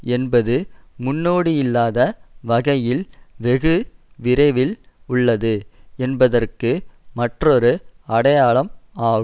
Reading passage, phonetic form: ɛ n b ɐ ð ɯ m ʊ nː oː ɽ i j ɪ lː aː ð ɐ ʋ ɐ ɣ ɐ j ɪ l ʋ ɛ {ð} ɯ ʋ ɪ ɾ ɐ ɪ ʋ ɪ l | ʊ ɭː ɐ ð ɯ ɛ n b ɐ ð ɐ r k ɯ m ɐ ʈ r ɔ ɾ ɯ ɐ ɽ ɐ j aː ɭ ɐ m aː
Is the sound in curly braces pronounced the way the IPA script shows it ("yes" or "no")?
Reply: no